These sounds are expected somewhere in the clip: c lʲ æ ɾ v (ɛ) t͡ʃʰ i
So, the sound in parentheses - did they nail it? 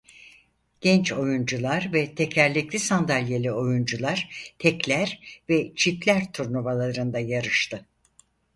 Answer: yes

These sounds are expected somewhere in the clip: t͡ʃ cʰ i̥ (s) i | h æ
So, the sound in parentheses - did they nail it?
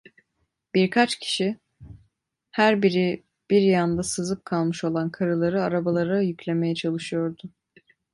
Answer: no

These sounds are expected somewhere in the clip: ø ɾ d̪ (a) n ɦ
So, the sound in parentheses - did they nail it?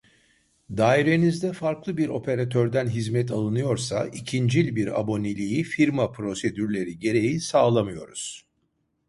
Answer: no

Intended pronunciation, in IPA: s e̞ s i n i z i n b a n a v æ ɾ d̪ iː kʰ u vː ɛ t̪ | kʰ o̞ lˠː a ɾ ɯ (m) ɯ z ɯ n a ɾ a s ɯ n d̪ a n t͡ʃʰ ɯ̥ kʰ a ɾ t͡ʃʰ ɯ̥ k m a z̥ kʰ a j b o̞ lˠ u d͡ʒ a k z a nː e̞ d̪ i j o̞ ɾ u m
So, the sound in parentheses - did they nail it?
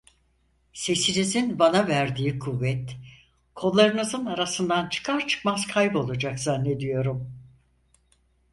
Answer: no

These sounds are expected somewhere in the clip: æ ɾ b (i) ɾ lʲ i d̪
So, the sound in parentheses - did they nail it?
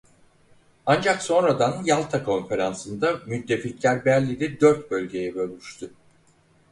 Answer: no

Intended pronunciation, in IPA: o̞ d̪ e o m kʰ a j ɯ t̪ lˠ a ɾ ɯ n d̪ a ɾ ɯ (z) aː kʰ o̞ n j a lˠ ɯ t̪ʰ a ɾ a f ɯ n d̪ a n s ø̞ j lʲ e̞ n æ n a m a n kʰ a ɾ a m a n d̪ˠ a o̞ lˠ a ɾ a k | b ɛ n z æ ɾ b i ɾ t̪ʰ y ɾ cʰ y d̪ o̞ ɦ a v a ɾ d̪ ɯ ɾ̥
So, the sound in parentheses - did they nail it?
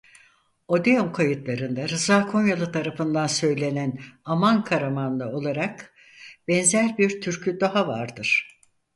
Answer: yes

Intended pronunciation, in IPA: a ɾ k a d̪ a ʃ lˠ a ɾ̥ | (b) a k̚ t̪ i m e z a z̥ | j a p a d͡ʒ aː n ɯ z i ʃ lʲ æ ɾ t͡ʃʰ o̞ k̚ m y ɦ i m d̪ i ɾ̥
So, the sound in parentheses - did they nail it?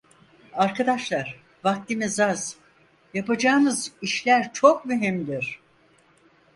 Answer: no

